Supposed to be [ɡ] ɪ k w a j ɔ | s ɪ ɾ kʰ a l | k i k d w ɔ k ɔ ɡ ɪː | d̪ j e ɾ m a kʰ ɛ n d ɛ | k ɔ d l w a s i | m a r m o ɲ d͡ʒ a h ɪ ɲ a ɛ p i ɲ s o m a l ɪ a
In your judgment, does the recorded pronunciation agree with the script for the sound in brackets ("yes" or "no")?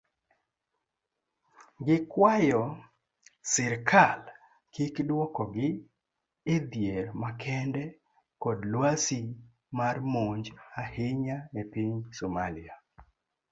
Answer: yes